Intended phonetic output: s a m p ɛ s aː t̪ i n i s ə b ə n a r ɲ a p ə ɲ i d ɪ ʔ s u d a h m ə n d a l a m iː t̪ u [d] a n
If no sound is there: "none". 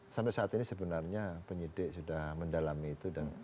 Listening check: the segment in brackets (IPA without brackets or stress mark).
d